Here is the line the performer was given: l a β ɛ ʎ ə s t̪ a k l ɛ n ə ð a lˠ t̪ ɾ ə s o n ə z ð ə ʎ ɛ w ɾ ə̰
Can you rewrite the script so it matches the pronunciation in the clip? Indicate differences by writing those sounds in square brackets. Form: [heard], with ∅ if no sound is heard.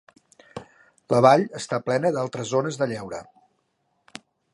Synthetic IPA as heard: l [ə] β [a] ʎ ə s t̪ a [p] l ɛ n ə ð a lˠ t̪ ɾ ə [z] o n ə z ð ə ʎ ɛ w ɾ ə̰